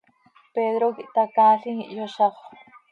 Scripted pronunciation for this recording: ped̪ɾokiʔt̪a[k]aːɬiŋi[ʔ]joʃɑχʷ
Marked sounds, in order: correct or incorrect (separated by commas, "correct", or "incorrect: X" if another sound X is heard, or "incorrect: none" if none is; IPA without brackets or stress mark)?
correct, correct